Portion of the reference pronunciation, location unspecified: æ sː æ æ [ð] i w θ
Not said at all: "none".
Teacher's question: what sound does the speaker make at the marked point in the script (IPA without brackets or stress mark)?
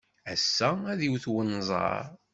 ð